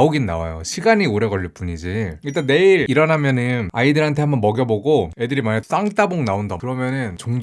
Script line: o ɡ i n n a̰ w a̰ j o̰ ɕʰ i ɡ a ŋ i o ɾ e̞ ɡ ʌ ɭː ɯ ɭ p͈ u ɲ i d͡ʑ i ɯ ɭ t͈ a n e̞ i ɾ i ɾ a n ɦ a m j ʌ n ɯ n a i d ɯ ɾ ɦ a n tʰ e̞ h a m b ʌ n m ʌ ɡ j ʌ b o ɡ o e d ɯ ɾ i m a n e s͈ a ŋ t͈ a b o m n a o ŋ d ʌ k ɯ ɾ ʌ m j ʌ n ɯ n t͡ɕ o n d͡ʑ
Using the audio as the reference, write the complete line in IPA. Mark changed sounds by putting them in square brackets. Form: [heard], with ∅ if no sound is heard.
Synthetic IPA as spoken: o ɡ i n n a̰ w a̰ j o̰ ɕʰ i ɡ a [ɲ] i o ɾ e̞ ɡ ʌ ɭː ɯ ɭ p͈ u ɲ i d͡ʑ i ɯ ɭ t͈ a n e̞ i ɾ i ɾ [ʌ] n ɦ a m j ʌ n ɯ n a i d ɯ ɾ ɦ a n tʰ e̞ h a m b ʌ n m ʌ ɡ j ʌ b o ɡ o e d ɯ ɾ i m a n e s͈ a ŋ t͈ a b o [ŋ] n a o [n] d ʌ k ɯ ɾ ʌ m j ʌ n ɯ n t͡ɕ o [ŋ] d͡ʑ